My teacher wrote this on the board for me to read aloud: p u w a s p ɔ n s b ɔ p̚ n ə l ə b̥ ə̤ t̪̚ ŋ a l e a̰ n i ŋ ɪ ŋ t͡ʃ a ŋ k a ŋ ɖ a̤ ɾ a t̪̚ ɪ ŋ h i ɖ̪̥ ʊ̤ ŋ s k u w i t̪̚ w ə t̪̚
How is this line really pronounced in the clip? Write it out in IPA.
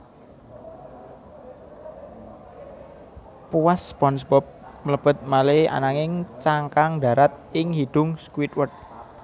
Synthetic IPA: p u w a s p ɔ n s b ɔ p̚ m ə l ə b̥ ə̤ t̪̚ m a l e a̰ n a ŋ ɪ ŋ t͡ʃ a ŋ k a ŋ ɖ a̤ ɾ a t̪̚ ɪ ŋ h i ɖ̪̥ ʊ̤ ŋ s k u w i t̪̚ w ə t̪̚